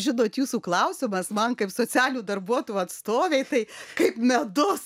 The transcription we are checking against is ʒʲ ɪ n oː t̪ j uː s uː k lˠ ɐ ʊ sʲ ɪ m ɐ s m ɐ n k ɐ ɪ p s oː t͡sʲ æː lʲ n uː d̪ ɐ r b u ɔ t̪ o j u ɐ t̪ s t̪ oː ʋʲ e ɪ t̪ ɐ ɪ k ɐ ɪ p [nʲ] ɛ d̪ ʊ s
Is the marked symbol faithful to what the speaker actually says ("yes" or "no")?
no